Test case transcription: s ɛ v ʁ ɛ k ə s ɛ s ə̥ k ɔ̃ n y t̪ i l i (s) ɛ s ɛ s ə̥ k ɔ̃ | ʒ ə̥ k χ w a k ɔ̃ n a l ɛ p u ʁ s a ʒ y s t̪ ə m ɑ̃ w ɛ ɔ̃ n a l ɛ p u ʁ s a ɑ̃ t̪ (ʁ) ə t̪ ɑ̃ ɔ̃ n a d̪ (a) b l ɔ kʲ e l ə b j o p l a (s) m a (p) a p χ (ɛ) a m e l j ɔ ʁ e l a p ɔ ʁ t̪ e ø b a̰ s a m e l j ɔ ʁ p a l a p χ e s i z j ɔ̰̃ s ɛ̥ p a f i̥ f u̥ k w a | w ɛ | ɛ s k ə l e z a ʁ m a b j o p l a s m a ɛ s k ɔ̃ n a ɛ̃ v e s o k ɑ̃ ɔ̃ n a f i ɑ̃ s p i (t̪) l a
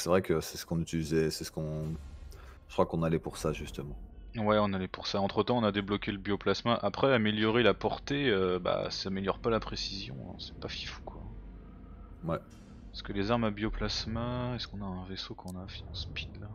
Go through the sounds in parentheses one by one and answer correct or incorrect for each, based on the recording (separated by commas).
incorrect, incorrect, incorrect, correct, incorrect, correct, incorrect